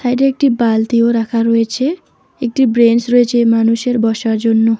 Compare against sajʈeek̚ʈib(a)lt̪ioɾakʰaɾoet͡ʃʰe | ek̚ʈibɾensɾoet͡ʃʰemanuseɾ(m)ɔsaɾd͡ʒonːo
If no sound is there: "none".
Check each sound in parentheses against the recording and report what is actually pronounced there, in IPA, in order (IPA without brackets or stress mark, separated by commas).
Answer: a, b